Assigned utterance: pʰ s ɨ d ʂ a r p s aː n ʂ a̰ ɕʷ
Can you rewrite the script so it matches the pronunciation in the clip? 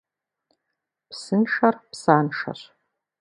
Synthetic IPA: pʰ s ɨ n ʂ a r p s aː n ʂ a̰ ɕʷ